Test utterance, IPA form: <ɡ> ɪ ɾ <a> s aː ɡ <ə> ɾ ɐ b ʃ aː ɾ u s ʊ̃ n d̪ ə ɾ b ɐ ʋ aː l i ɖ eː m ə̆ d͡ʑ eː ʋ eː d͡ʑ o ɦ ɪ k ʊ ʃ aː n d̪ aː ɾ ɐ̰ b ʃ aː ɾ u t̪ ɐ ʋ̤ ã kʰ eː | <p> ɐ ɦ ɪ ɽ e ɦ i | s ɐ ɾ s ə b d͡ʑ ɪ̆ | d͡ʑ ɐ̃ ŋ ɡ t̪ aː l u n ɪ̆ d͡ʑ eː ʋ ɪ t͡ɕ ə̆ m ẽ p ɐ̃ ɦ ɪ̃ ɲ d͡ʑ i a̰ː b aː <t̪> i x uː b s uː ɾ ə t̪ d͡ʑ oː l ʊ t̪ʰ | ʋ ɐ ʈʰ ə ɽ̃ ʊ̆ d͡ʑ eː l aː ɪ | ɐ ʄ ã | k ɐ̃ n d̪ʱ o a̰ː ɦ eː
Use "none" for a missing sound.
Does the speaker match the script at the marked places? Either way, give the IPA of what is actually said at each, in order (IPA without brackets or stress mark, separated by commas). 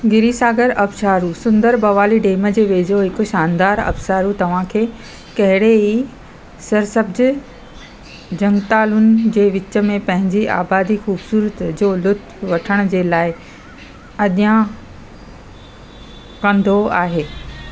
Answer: ɡ, i, ə, k, d̪